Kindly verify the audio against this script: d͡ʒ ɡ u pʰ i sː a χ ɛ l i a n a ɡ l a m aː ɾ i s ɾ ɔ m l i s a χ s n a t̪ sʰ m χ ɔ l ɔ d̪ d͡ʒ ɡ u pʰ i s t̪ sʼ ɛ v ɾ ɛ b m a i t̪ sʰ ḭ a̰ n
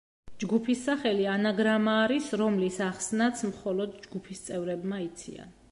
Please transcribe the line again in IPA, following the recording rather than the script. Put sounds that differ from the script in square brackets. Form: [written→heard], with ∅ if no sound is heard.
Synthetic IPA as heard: d͡ʒ ɡ u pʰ i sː a χ ɛ l i a n a ɡ [l→ɾ] a m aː ɾ i s ɾ ɔ m l i s a χ s n a t̪ sʰ m χ ɔ l ɔ d̪ d͡ʒ ɡ u pʰ i s t̪ sʼ ɛ v ɾ ɛ b m a i t̪ sʰ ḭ a̰ n

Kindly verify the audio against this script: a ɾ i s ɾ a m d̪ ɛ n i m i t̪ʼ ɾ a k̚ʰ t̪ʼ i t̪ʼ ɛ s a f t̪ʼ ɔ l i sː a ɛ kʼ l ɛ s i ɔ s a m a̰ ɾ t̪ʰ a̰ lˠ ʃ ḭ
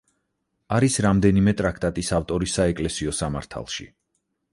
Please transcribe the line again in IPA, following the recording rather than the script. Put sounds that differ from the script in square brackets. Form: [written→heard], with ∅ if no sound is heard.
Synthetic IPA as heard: a ɾ i s ɾ a m d̪ ɛ n i m [i→ɛ] t̪ʼ ɾ a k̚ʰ t̪ʼ [i→a] t̪ʼ [ɛ→i] s a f t̪ʼ ɔ [l→ɾ] i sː a ɛ kʼ l ɛ s i ɔ s a m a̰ ɾ t̪ʰ a̰ lˠ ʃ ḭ

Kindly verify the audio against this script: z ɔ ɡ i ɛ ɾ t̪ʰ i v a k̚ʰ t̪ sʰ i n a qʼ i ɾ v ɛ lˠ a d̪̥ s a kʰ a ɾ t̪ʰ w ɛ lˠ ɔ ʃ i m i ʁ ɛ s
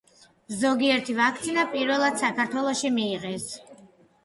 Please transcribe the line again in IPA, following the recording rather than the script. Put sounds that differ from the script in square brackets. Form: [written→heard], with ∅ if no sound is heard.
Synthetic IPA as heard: z ɔ ɡ i ɛ ɾ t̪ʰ i v a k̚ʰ t̪ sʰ i n a [qʼ→pʼ] i ɾ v ɛ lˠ a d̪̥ s a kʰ a ɾ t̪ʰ w ɛ lˠ ɔ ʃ i m [i→iː] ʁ ɛ s

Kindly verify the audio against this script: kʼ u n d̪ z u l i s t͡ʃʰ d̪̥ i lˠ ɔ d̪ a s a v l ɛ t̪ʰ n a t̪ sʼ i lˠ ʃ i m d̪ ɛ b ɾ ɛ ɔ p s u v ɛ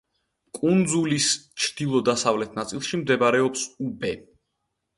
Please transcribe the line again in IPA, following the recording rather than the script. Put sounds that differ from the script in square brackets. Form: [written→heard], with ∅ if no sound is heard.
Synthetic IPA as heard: kʼ u n d̪ z u l i s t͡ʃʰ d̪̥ i lˠ ɔ d̪ a s a v l ɛ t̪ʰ n a t̪ sʼ i lˠ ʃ i m d̪ ɛ b ɾ ɛ ɔ p s u [v→b] ɛ

